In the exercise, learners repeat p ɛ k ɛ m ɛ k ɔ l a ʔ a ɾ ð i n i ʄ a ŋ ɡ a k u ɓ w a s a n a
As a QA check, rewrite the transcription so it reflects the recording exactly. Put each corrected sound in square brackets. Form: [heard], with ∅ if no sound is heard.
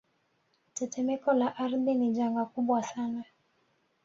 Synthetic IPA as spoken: [t] ɛ [t] ɛ m ɛ k ɔ l a ʔ a ɾ ð i n i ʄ a ŋ ɡ a k u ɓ w a s a n a